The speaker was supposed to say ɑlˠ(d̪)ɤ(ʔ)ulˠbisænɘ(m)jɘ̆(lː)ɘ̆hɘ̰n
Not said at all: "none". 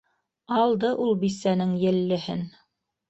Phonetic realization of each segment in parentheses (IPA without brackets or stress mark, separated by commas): d̪, ʔ, ŋ, lː